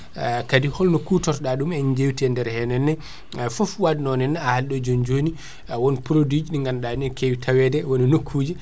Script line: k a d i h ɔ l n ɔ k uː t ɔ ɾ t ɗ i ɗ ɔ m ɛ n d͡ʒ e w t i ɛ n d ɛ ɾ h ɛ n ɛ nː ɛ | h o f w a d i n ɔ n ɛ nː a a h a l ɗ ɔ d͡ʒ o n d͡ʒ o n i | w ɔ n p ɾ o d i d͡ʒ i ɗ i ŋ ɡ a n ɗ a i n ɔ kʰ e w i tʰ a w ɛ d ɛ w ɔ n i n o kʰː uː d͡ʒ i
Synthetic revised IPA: k a d i h ɔ l n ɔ k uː t ɔ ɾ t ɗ a ɗ u m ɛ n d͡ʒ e w t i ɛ n d ɛ ɾ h ɛ n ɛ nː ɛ | f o f w a d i n ɔ n ɛ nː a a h a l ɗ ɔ d͡ʒ o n d͡ʒ o n i | w ɔ n p ɾ o d i d͡ʒ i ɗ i ŋ ɡ a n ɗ a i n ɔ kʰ e w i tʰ a w ɛ d ɛ w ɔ n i n o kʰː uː d͡ʒ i